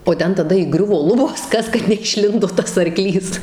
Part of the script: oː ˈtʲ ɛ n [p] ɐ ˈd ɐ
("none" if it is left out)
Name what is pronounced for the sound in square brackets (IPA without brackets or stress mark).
t